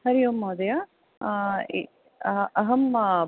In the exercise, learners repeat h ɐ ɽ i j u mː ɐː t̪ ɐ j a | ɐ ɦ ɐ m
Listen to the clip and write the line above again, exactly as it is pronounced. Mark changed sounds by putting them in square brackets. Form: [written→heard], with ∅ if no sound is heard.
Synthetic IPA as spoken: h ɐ [ɽ→ɾ] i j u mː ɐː [t̪→d̪] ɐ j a | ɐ ɦ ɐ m